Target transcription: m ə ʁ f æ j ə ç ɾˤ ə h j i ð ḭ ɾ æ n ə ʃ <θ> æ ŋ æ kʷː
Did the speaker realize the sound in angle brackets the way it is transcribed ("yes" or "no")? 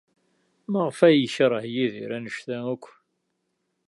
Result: yes